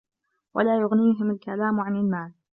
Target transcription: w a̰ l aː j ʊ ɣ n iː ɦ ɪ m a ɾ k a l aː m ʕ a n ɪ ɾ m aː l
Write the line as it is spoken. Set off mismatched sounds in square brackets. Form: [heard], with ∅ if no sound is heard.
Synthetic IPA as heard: w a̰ l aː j ʊ ɣ n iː ɦ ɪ m a [l] k a l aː m ʕ a n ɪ [l] m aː l